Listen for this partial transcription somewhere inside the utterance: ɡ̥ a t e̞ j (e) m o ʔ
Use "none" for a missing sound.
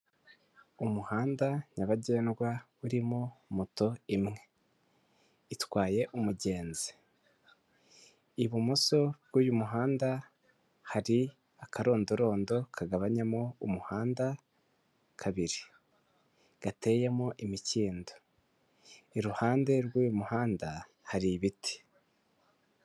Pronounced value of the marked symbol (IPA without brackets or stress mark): e